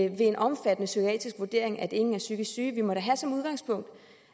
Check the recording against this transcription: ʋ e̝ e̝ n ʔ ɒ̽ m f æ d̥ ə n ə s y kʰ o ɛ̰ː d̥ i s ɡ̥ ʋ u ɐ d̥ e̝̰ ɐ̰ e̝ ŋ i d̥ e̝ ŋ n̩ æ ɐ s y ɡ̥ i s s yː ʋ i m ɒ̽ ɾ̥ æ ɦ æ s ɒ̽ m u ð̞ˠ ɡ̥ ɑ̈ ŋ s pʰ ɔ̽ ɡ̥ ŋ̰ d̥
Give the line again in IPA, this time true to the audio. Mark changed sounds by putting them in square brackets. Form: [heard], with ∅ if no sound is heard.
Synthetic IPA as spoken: ʋ e̝ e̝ n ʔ ɒ̽ m f æ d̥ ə n ə s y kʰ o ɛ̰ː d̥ i s ɡ̥ ʋ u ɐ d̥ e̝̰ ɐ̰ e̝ ŋ [æ] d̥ e̝ ŋ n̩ æ ɐ s y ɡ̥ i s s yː ʋ i m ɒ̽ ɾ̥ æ ɦ æ s ɒ̽ m u ð̞ˠ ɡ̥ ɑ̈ ŋ s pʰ ɔ̽ [∅] ŋ̰ d̥